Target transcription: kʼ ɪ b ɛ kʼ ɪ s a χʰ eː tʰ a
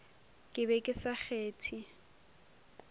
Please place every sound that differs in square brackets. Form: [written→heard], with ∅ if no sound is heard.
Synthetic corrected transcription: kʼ ɪ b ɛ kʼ ɪ s a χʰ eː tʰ [a→i]

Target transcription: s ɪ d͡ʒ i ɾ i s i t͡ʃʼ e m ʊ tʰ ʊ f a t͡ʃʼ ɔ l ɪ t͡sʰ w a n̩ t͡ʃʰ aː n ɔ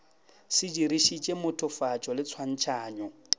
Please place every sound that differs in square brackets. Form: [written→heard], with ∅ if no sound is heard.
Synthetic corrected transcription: s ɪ d͡ʒ i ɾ i [s→ʃ] i t͡ʃʼ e m ʊ tʰ ʊ f a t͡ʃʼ ɔ l ɪ t͡sʰ w a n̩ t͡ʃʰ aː [n→ɲ] ɔ

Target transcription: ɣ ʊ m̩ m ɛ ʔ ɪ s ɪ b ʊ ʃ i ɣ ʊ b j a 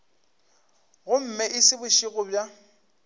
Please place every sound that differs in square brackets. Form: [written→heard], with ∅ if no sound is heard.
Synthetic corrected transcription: ɣ ʊ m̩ m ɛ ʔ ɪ s ɪ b ʊ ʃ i ɣ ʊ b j a

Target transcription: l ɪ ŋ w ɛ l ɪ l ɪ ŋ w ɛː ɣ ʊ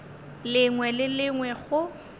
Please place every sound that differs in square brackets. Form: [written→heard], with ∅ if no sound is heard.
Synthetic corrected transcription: l ɪ ŋ w ɛ l ɪ l ɪ ŋ w [ɛː→ɛ] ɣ ʊ

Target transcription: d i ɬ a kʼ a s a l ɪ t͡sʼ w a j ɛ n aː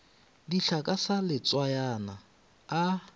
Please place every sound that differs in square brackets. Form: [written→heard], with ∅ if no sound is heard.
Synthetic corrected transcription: d i ɬ a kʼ a s a l ɪ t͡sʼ w a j [ɛ→a] n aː

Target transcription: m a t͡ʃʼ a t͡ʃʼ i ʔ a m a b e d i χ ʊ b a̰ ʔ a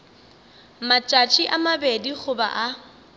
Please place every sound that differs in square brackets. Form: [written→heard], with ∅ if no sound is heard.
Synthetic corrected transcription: m a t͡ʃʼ a t͡ʃʼ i ʔ a m a b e d i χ ʊ b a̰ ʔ a

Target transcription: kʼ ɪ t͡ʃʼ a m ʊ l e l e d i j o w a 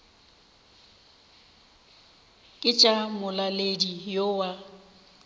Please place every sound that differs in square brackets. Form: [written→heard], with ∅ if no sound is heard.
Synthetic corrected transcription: kʼ ɪ t͡ʃʼ a m ʊ l [e→a] l e d i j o w a

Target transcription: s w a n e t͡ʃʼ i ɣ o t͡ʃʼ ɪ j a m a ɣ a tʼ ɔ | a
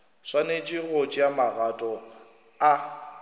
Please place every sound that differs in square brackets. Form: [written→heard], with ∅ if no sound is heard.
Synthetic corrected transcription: s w a n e t͡ʃʼ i ɣ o t͡ʃʼ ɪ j a m a ɣ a tʼ ɔ | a

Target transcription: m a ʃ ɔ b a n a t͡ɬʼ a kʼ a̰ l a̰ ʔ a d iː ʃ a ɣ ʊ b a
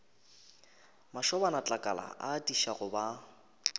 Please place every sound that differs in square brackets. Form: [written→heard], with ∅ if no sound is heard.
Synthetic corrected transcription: m a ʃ ɔ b a n a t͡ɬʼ a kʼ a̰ l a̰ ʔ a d [iː→i] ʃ a ɣ ʊ b a

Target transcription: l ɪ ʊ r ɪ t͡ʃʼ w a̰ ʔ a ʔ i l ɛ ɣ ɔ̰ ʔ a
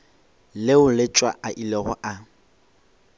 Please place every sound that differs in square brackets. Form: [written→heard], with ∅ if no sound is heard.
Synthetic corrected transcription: l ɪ ʊ [r→l] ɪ t͡ʃʼ w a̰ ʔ a ʔ i l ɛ ɣ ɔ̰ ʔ a

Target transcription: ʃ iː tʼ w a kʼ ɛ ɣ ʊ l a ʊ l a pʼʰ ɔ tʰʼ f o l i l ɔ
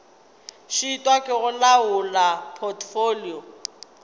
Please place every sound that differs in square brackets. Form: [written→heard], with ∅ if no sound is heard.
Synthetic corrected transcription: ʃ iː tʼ w a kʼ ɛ ɣ ʊ l a ʊ l a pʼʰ ɔ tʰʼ f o l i [l→∅] ɔ

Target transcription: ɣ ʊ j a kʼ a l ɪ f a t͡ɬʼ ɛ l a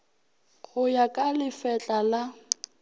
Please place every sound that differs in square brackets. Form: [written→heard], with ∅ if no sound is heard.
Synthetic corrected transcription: ɣ ʊ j a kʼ a l ɪ f [a→ɛ] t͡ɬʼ [ɛ→a] l a

